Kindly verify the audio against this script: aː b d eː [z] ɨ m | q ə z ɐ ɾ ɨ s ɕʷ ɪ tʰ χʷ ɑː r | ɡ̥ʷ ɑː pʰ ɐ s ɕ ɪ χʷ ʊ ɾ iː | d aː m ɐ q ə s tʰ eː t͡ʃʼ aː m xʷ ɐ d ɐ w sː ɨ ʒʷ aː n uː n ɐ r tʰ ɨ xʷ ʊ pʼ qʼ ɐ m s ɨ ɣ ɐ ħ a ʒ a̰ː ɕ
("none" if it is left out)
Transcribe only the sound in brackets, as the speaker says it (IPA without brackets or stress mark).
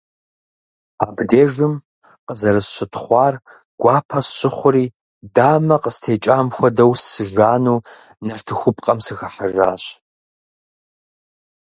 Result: ʒ